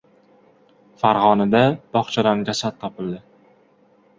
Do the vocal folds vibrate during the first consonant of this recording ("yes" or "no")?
no